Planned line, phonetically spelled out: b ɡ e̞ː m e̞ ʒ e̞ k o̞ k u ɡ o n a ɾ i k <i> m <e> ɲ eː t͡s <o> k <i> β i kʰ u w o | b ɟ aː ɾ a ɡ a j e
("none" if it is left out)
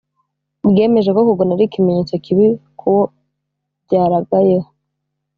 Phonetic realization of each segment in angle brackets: i, e, o, i

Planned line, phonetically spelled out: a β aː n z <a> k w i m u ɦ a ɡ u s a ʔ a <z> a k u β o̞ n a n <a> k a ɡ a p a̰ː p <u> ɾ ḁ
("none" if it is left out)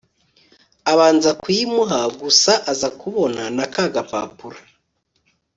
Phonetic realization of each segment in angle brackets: a, z, a, u

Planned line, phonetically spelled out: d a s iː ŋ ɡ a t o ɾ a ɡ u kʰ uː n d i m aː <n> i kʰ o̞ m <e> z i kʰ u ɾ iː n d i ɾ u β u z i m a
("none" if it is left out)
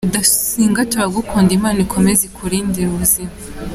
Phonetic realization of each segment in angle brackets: n, e

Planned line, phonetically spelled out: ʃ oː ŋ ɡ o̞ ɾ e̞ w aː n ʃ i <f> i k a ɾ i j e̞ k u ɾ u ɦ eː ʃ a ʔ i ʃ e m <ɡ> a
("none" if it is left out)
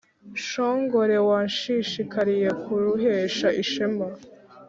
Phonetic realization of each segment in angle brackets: ʃ, b

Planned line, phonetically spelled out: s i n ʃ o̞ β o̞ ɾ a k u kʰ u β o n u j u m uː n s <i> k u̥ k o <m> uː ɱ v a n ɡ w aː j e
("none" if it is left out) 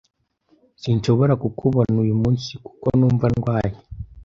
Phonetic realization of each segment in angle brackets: i, n

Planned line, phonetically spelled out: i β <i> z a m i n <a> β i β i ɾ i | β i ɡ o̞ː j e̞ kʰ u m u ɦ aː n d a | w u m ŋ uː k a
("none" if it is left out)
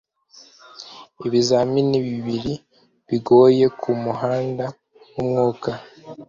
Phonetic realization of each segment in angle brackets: i, i

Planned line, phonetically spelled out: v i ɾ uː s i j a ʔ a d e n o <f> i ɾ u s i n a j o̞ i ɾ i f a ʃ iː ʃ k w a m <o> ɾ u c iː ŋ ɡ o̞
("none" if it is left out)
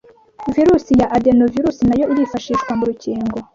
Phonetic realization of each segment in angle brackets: v, u

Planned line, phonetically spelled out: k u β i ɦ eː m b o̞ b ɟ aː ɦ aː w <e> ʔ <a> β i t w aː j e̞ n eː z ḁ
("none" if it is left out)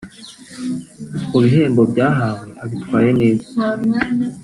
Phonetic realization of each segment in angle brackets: e, a

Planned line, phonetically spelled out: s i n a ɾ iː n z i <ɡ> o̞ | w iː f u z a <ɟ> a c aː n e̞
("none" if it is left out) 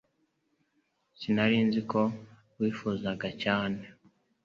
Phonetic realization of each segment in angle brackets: k, ɡ

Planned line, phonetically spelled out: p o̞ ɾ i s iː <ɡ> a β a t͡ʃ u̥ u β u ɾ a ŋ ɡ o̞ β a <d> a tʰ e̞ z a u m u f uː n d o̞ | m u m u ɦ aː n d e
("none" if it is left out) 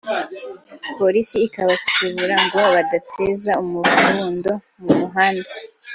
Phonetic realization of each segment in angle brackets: k, d

